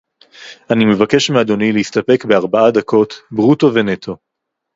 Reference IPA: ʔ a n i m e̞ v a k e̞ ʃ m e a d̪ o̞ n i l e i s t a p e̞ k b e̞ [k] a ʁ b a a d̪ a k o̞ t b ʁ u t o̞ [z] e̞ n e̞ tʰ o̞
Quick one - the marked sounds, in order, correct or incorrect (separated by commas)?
incorrect, incorrect